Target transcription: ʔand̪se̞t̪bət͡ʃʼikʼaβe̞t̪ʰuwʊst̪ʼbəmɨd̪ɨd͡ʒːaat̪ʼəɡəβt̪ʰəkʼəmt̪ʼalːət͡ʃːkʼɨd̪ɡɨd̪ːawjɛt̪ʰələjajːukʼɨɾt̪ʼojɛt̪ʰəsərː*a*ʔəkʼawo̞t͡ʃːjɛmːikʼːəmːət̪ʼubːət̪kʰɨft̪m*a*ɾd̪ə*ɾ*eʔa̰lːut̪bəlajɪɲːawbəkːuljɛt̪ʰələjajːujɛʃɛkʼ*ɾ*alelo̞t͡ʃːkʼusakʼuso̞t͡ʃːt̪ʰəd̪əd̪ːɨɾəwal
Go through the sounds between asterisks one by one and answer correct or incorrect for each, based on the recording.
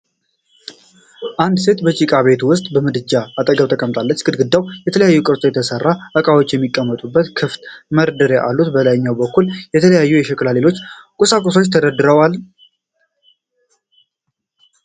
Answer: correct, incorrect: ə, correct, incorrect: l

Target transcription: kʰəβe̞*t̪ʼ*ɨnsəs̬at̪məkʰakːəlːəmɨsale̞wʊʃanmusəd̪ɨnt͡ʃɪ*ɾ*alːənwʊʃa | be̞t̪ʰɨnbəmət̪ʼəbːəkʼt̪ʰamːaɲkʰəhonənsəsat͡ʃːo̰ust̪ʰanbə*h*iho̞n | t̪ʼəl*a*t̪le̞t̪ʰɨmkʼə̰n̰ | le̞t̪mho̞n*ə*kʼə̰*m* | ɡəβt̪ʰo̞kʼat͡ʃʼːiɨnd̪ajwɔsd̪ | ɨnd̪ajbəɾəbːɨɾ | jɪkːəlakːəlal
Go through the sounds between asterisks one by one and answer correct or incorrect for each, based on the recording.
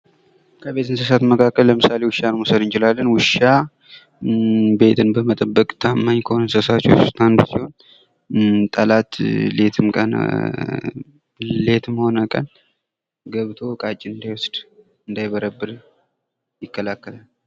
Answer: incorrect: t̪, incorrect: l, incorrect: s, correct, correct, incorrect: n

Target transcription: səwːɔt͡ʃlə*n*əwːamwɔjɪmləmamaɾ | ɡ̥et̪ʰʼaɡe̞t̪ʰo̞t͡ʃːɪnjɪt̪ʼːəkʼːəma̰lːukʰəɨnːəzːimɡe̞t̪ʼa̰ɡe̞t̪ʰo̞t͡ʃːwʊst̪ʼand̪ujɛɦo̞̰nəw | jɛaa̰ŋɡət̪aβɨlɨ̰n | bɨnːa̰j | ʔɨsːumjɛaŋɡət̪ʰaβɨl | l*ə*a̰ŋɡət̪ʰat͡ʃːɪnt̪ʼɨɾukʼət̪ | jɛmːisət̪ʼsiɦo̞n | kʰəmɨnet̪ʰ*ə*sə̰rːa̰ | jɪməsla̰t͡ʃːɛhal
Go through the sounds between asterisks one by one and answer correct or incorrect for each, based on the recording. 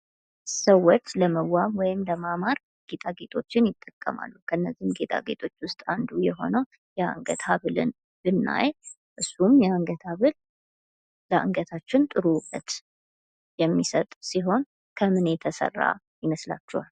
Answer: incorrect: m, correct, correct

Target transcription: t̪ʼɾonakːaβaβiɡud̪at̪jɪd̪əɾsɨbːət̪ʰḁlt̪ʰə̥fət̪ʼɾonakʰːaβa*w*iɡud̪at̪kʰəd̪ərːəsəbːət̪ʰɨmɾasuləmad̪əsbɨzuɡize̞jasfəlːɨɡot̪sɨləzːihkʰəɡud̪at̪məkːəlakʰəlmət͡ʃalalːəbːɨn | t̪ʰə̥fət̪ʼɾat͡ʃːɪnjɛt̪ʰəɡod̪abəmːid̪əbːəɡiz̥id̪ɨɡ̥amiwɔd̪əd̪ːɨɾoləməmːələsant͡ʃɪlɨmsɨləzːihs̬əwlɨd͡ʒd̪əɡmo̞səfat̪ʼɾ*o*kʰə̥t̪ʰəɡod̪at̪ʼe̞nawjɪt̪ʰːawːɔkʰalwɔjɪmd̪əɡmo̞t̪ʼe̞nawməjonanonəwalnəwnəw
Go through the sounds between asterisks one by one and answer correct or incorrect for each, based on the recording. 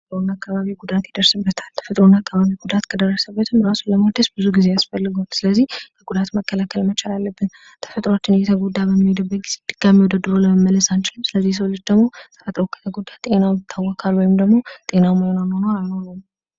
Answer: incorrect: β, correct

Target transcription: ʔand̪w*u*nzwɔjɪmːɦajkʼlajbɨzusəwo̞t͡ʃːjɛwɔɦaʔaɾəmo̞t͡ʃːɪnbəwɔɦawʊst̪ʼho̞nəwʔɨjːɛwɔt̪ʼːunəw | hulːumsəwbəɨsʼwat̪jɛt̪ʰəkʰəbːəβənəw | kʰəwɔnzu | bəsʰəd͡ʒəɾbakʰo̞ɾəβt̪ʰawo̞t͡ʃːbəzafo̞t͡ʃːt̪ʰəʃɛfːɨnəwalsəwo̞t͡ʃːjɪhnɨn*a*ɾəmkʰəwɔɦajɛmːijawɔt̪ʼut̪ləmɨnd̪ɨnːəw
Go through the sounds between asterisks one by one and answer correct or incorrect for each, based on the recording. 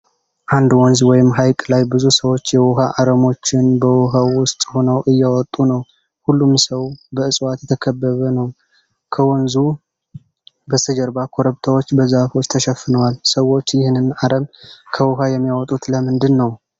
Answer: incorrect: ɔ, correct

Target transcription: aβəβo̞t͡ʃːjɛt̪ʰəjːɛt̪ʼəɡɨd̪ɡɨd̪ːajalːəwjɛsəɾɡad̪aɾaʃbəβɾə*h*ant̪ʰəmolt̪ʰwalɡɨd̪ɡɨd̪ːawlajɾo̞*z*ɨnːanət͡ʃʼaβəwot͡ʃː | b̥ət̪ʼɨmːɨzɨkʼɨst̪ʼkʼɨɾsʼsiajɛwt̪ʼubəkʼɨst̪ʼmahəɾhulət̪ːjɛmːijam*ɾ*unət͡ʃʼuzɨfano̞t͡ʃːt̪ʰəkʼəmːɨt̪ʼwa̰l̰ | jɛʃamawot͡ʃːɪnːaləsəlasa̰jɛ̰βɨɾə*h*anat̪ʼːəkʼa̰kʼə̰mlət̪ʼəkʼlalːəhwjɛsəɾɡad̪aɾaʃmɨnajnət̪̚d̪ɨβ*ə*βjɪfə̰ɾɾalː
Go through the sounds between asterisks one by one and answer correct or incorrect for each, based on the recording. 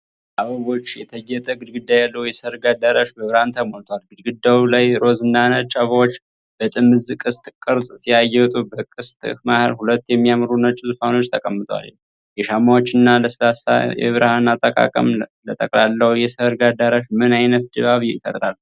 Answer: correct, correct, correct, correct, incorrect: a

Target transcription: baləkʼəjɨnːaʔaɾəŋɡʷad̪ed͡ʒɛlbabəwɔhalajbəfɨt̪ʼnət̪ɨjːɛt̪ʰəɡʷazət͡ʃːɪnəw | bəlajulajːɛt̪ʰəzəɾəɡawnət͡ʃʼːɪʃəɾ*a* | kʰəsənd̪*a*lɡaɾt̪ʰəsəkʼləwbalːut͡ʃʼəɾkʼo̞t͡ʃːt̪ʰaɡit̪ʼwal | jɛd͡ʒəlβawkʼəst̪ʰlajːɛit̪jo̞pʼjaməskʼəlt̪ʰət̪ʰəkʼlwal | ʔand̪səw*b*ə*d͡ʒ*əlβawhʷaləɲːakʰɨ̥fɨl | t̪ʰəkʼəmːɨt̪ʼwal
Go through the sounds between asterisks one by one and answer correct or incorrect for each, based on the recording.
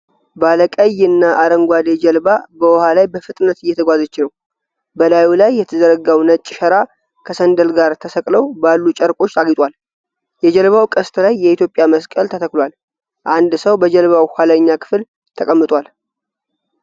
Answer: correct, incorrect: ə, correct, correct

